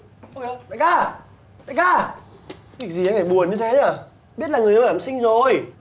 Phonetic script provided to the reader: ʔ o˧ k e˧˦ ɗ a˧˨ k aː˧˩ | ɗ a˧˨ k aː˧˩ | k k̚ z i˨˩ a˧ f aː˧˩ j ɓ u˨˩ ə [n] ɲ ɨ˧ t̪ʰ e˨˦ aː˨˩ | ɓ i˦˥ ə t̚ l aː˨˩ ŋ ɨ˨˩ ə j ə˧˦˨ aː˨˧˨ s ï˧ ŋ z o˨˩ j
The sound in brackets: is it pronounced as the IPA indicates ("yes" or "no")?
yes